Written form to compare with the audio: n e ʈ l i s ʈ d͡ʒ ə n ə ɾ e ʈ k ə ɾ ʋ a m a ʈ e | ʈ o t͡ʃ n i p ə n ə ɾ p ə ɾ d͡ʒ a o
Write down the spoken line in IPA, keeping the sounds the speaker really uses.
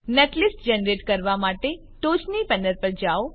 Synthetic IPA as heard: n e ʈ l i s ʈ d͡ʒ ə n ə ɾ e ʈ k ə ɾ ʋ a m a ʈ e | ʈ o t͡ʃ n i p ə n ə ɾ p ə ɾ d͡ʒ a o